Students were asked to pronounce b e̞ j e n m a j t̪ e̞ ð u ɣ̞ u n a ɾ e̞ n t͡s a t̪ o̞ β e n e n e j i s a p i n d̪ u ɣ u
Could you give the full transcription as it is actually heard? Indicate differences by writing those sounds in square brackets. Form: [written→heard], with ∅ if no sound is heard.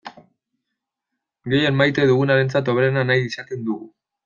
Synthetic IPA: [b→ɡ] e̞ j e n m a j t̪ e̞ ð u ɣ̞ u n a ɾ e̞ n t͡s a t̪ o̞ β e n [e→a] n [e→a] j i s a [p→k] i n d̪ u ɣ u